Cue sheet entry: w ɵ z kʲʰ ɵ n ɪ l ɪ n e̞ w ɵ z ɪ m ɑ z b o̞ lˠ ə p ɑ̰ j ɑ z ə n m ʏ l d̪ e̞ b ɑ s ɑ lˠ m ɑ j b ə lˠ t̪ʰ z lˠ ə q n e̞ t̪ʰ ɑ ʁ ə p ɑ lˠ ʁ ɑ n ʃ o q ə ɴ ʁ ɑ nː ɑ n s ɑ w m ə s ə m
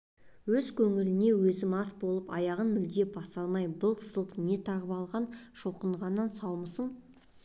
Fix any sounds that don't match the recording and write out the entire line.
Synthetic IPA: w ɵ z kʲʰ ɵ ŋ ɪ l ɪ n e̞ w ɵ z ɪ m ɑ s b o̞ lˠ ə p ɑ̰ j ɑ ʁ ə n m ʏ l d̪ e̞ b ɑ s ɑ lˠ m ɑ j b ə lˠ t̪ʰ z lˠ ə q n e̞ t̪ʰ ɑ ʁ ə p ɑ lˠ ʁ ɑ n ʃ o q ə ɴ ʁ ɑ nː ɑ n s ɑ w m ə s ə ɴ